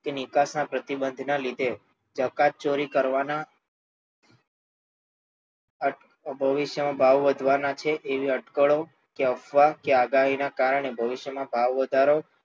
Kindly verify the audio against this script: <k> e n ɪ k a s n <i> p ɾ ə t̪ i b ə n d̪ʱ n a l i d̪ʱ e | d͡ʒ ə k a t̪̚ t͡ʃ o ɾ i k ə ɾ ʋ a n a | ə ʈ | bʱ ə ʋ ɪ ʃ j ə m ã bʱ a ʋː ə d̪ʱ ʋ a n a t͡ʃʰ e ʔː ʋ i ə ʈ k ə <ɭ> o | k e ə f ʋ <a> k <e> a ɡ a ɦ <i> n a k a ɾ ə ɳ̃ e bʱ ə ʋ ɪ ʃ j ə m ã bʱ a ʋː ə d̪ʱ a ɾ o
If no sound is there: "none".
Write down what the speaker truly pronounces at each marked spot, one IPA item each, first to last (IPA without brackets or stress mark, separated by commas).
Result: k, a, ɭ, a, e, i